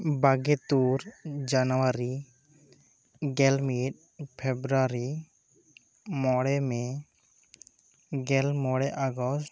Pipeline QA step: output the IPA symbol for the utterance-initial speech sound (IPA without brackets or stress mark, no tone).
b